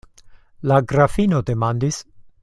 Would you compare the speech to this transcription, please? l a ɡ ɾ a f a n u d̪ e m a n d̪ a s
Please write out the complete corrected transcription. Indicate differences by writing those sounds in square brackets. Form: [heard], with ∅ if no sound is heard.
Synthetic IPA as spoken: l a ɡ ɾ a f [i] n [o] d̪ e m a n d̪ [i] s